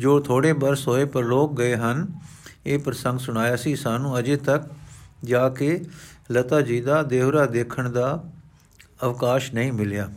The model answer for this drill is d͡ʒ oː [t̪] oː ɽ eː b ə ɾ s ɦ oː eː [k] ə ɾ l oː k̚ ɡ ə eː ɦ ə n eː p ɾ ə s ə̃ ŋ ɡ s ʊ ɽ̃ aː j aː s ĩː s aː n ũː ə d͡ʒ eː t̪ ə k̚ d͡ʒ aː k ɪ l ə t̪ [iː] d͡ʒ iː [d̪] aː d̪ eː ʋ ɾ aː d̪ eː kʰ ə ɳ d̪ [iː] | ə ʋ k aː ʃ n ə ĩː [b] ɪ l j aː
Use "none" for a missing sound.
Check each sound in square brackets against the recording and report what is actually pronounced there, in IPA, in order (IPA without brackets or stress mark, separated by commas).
t̪ʰ, p, aː, d̪, aː, m